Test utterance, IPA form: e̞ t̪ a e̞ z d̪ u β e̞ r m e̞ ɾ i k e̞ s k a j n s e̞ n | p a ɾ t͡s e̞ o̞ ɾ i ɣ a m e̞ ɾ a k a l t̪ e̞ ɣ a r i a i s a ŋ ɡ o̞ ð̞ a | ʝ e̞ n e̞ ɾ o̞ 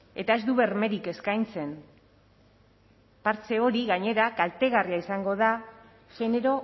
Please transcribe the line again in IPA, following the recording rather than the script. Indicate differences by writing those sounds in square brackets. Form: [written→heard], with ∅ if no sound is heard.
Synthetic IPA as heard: e̞ t̪ a e̞ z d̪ u β e̞ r m e̞ ɾ i k e̞ s k a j n [s→t͡s] e̞ n | p a ɾ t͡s e̞ o̞ ɾ i ɣ a [m→ɲ] e̞ ɾ a k a l t̪ e̞ ɣ a r i a i s a ŋ ɡ o̞ ð̞ a | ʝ e̞ n e̞ ɾ o̞